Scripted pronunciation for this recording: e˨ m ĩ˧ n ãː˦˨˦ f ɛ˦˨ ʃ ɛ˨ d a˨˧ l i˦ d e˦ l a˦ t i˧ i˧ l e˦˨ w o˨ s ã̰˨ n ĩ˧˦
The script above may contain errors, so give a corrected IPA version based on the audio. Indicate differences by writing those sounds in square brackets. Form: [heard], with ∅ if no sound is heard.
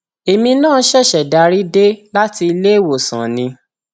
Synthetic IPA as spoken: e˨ m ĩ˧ n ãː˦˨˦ [ʃ] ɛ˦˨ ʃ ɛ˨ d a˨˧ [ɾ] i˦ d e˦ l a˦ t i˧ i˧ l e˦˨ w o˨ s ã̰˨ n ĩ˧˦